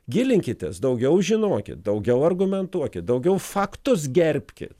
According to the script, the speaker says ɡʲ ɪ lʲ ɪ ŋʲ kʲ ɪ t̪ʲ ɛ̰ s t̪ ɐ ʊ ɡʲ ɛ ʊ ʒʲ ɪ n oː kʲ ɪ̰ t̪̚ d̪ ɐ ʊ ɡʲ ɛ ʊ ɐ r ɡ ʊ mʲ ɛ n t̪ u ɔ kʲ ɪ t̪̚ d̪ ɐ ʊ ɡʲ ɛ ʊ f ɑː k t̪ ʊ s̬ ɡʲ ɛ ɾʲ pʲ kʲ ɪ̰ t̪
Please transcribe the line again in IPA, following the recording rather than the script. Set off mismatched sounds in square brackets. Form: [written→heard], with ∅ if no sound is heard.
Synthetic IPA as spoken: ɡʲ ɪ lʲ ɪ ŋʲ kʲ ɪ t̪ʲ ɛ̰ s [t̪→d̪] ɐ ʊ ɡʲ ɛ ʊ ʒʲ ɪ n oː kʲ ɪ̰ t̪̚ d̪ ɐ ʊ ɡʲ ɛ ʊ ɐ r ɡ ʊ mʲ ɛ n t̪ u ɔ kʲ ɪ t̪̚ d̪ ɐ ʊ ɡʲ ɛ ʊ f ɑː k t̪ ʊ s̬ ɡʲ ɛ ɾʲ pʲ kʲ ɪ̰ t̪